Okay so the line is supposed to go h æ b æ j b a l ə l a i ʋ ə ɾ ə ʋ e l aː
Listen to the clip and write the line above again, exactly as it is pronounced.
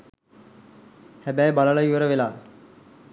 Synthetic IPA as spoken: h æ b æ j b a l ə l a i ʋ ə ɾ ə ʋ e l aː